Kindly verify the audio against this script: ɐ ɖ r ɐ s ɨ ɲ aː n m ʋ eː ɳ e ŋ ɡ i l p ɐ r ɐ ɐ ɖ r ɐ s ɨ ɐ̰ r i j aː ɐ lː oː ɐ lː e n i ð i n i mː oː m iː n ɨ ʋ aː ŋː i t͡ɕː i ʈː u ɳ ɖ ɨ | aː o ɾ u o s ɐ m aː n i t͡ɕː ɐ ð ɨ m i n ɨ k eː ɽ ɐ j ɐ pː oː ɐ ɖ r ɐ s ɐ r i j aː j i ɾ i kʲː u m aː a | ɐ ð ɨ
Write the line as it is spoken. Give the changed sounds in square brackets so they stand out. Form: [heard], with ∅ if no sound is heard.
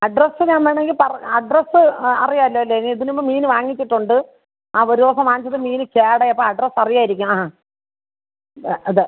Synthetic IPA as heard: ɐ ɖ r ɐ s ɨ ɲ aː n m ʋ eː ɳ e ŋ ɡ i l p ɐ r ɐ ɐ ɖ r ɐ s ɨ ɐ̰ r i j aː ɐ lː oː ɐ lː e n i ð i n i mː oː m iː n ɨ ʋ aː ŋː i t͡ɕː i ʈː u ɳ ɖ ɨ | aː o ɾ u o s ɐ m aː n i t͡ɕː ɐ ð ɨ m [iː] n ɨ k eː ɽ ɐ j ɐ pː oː ɐ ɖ r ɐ s ɐ r i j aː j i ɾ i kʲː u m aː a | ɐ ð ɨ